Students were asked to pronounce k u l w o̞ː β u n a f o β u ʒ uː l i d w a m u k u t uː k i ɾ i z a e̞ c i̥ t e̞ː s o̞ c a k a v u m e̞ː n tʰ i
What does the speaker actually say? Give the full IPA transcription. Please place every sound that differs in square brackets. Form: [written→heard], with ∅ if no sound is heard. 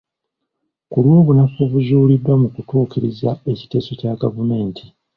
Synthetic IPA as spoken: k u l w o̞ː β u n a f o β u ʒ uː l i d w a m u k u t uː k i ɾ i z a e̞ c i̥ t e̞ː s o̞ c a [k→ɡ] a v u m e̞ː n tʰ i

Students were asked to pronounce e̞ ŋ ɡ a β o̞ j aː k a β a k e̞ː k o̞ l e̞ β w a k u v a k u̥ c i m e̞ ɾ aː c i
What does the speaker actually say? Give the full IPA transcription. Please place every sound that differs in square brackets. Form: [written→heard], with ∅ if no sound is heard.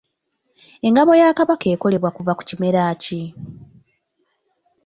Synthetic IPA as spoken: e̞ ŋ ɡ a β o̞ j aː k a β a k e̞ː k o̞ l e̞ β w a k u v a k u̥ c i m e̞ ɾ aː c i

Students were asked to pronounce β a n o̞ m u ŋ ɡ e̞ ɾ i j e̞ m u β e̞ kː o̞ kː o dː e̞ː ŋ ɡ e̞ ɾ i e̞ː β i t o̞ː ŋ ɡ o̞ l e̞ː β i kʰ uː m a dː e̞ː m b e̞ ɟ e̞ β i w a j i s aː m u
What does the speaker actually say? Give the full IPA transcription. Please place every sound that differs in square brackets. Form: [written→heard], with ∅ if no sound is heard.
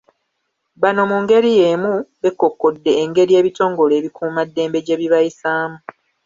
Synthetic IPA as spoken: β a n o̞ m u ŋ ɡ e̞ ɾ i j e̞ m u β e̞ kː o̞ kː o dː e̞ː ŋ ɡ e̞ ɾ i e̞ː β i t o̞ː ŋ ɡ o̞ l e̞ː β i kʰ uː m a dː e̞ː m b e̞ ɟ e̞ β i [w→β] a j i s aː m u

